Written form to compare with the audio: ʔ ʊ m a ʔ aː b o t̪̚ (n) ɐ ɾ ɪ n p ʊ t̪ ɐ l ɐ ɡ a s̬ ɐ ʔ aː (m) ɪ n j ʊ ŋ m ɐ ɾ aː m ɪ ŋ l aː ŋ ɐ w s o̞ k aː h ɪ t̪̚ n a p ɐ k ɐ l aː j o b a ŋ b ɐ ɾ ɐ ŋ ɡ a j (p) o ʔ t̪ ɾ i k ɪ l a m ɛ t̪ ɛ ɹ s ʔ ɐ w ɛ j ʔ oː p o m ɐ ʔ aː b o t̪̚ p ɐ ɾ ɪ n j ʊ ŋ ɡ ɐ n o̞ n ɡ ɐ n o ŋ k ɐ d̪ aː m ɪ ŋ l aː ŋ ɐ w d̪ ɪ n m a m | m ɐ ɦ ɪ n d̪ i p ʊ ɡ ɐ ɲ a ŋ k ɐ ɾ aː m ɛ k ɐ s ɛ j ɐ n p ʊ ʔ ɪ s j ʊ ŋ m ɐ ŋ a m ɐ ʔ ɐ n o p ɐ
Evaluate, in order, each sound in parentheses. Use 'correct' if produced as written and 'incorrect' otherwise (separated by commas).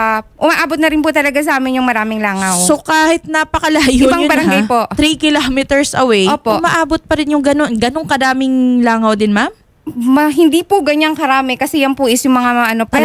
correct, correct, correct